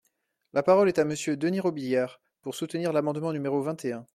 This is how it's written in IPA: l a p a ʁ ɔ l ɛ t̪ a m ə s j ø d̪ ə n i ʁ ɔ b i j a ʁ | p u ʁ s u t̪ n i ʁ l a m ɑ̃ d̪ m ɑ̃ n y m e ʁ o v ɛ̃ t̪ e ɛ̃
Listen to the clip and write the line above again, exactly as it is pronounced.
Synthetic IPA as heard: l a p a ʁ ɔ l ɛ t̪ a m ə s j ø d̪ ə n i ʁ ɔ b i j a ʁ | p u ʁ s u t̪ n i ʁ l a m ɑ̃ d̪ m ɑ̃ n y m e ʁ o v ɛ̃ t̪ e ɛ̃